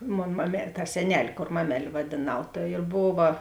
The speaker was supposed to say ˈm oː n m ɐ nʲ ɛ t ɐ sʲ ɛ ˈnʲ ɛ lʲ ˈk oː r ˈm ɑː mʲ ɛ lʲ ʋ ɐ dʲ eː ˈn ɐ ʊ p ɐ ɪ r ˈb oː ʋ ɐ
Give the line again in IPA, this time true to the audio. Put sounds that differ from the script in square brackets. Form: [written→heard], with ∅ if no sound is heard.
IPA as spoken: ˈm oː n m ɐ [nʲ→mʲ] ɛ t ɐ sʲ ɛ ˈnʲ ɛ lʲ ˈk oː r ˈm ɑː mʲ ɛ lʲ ʋ ɐ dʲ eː ˈn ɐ ʊ [p→t] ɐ ɪ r ˈb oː ʋ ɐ

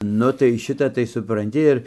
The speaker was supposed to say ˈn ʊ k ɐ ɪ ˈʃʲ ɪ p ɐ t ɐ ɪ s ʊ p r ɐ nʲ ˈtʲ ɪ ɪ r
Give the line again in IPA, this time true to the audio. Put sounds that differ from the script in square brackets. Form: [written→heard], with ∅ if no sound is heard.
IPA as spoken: ˈn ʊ [k→t] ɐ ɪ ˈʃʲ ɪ [p→t] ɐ t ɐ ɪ s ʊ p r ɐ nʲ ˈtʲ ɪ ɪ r

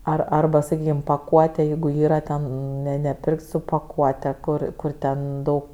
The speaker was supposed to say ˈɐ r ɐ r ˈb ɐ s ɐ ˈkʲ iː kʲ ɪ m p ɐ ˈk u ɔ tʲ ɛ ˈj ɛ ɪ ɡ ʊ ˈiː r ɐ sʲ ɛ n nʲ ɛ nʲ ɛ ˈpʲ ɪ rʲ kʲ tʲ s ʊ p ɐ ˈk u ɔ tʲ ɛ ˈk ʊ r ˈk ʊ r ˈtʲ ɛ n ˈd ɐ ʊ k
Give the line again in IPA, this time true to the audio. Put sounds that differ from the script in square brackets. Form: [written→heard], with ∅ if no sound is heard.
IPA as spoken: ˈɐ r ɐ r ˈb ɐ s ɐ ˈkʲ iː kʲ ɪ m p ɐ ˈk u ɔ tʲ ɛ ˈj ɛ ɪ ɡ ʊ ˈiː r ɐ [sʲ→tʲ] ɛ n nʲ ɛ nʲ ɛ ˈpʲ ɪ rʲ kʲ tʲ s ʊ p ɐ ˈk u ɔ tʲ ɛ ˈk ʊ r ˈk ʊ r ˈtʲ ɛ n ˈd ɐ ʊ k

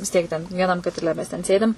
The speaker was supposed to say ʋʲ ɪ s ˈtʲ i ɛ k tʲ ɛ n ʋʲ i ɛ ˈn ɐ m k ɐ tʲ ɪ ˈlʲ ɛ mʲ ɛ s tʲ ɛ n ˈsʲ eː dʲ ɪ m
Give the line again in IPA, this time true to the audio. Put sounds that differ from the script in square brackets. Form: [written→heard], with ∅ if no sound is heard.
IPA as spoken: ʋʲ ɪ s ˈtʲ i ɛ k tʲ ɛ n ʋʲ i ɛ ˈn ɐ m k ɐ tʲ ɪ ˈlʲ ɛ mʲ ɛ s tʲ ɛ n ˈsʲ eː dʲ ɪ m

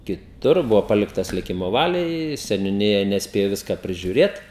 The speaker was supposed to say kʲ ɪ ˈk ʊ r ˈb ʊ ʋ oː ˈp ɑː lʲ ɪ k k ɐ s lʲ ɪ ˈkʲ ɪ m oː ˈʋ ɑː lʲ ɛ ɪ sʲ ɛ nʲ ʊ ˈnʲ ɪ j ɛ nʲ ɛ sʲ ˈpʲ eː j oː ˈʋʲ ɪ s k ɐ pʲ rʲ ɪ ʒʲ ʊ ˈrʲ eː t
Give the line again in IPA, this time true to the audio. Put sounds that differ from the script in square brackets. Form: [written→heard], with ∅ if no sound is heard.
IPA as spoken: kʲ ɪ [ˈk→ˈt] ʊ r ˈb ʊ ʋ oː ˈp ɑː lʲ ɪ k [k→t] ɐ s lʲ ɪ ˈkʲ ɪ m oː ˈʋ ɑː lʲ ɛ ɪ sʲ ɛ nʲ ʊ ˈnʲ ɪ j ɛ nʲ ɛ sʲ ˈpʲ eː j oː ˈʋʲ ɪ s k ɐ pʲ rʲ ɪ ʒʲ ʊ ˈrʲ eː t

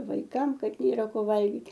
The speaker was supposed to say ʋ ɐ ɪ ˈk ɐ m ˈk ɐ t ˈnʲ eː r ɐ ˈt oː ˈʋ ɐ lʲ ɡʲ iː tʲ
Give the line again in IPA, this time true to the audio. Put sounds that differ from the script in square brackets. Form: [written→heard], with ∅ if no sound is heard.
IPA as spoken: ʋ ɐ ɪ ˈk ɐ m ˈk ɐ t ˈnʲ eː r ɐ [ˈt→ˈk] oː ˈʋ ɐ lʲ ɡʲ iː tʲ

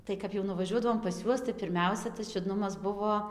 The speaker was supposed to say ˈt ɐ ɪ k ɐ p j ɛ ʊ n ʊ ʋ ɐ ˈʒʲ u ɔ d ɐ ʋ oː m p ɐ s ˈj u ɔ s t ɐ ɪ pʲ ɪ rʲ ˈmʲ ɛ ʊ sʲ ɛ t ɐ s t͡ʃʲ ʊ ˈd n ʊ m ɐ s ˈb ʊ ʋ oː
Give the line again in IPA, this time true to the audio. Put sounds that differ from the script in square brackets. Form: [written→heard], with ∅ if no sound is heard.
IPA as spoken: ˈt ɐ ɪ k ɐ p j ɛ ʊ n ʊ ʋ ɐ ˈʒʲ u ɔ d ɐ ʋ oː m p ɐ s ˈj u ɔ s t ɐ ɪ pʲ ɪ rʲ ˈmʲ ɛ ʊ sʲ ɛ t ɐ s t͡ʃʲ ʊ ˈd n ʊ m ɐ s ˈb ʊ ʋ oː

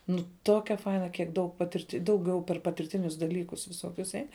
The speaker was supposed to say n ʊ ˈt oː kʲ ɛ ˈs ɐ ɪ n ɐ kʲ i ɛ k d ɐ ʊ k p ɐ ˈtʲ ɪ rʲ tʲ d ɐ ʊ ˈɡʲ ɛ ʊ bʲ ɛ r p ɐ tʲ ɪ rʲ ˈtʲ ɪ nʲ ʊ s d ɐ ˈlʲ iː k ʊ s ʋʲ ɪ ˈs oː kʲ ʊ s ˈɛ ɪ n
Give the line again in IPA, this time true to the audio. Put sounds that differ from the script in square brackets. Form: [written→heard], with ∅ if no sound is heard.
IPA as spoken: n ʊ ˈt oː kʲ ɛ [ˈs→ˈf] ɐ ɪ n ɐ kʲ i ɛ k d ɐ ʊ k p ɐ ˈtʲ ɪ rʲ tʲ d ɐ ʊ ˈɡʲ ɛ ʊ [bʲ→pʲ] ɛ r p ɐ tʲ ɪ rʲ ˈtʲ ɪ nʲ ʊ s d ɐ ˈlʲ iː k ʊ s ʋʲ ɪ ˈs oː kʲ ʊ s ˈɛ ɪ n

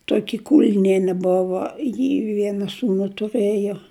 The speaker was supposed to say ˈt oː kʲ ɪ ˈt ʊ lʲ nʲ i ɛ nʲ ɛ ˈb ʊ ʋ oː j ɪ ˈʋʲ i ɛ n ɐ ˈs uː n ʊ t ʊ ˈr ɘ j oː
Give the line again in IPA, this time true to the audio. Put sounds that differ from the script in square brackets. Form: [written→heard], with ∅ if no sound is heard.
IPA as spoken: ˈt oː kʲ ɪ [ˈt→ˈk] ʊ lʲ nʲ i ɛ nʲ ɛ ˈb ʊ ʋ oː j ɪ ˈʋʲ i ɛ n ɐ ˈs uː n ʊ t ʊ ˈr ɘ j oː

